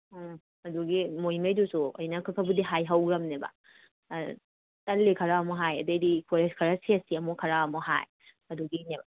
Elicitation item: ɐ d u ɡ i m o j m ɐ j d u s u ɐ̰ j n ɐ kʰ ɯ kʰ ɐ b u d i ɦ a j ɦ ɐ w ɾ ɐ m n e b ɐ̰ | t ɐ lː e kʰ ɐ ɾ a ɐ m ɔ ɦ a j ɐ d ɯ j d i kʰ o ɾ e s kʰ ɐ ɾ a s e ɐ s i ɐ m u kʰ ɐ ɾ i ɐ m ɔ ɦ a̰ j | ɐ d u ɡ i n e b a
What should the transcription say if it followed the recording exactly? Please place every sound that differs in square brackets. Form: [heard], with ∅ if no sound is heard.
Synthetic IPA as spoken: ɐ d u ɡ i m o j m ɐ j d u s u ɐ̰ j n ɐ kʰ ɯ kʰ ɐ b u d i ɦ a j ɦ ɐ w ɾ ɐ m n e b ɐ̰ | t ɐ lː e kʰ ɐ ɾ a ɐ m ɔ ɦ a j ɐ d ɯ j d i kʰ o ɾ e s kʰ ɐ ɾ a s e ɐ s i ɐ m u kʰ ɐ ɾ [a] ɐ m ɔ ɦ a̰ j | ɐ d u ɡ i n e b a